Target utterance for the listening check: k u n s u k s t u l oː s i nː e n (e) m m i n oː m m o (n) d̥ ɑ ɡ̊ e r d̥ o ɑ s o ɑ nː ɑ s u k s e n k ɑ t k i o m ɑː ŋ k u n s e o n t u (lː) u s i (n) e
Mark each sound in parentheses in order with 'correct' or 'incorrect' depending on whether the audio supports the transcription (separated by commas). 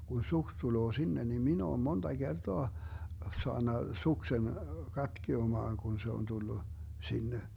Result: incorrect, correct, correct, incorrect